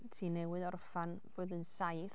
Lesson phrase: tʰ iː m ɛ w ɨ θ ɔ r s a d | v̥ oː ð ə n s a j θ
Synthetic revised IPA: tʰ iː n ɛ w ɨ ð ɔ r f a n | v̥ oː ð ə n s a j θ